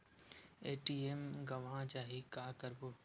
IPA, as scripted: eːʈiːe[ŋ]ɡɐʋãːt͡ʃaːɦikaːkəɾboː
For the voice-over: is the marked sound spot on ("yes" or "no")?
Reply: no